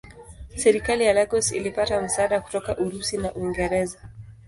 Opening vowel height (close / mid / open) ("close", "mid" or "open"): mid